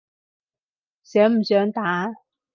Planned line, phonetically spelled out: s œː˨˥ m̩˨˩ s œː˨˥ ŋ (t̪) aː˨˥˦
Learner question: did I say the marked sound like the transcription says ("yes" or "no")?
yes